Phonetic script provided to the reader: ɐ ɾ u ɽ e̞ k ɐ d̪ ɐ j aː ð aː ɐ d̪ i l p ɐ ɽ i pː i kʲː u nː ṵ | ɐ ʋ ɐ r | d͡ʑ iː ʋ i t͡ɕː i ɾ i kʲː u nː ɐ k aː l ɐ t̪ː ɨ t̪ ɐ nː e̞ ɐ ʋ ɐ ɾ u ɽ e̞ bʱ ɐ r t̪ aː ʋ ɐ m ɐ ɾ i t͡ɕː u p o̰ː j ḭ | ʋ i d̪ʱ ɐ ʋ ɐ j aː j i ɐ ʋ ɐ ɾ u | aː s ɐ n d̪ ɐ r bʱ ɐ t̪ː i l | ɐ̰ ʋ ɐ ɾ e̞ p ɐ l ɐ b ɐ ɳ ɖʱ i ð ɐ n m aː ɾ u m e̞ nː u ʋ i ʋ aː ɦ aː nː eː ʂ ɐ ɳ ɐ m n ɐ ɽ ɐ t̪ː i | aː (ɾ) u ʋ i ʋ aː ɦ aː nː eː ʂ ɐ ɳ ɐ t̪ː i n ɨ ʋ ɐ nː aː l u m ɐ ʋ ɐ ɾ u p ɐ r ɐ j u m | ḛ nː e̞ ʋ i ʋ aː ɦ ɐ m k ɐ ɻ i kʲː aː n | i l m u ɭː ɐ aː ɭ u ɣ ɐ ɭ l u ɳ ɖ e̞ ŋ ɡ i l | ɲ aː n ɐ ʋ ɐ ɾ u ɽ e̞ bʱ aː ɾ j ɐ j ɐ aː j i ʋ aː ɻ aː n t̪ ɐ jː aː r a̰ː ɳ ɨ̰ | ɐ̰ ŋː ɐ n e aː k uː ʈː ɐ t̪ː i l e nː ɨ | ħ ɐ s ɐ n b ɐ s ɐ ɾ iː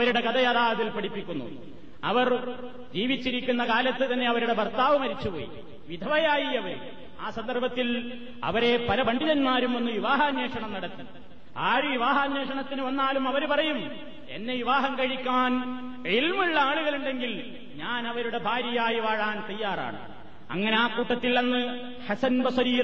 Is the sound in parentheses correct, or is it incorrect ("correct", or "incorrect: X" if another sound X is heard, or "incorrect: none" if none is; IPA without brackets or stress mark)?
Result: correct